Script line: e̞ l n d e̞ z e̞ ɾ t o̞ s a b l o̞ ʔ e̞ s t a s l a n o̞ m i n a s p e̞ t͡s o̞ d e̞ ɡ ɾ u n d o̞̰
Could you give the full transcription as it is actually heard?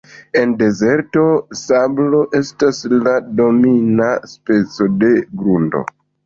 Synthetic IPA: e̞ n d e̞ z e̞ ɾ t o̞ s a b l o̞ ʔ e̞ s t a s l a d o̞ m i n a s p e̞ t͡s o̞ d e̞ ɡ ɾ u n d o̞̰